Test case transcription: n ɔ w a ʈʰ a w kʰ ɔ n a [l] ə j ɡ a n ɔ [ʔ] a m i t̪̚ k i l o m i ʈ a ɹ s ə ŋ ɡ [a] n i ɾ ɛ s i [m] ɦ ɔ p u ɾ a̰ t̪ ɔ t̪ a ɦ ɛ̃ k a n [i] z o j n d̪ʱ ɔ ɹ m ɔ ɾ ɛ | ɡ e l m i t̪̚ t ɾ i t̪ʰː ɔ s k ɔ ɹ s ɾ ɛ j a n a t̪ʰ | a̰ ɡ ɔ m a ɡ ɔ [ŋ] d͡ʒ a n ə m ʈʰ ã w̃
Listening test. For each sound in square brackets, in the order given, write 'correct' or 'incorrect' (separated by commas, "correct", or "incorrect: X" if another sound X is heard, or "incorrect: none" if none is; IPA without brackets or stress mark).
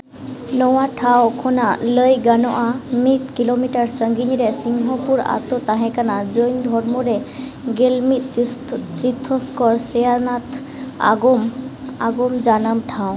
correct, correct, incorrect: i, incorrect: ŋ, incorrect: a, incorrect: m